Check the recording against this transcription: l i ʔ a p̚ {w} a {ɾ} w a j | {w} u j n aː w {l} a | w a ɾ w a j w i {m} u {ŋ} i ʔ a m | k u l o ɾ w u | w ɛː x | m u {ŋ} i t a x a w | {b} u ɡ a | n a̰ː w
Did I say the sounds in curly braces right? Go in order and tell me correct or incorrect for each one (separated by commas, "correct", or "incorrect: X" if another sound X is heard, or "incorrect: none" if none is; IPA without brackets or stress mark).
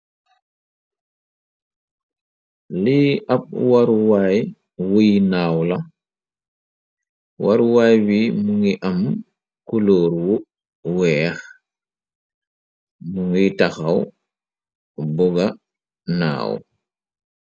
correct, correct, correct, correct, correct, correct, correct, correct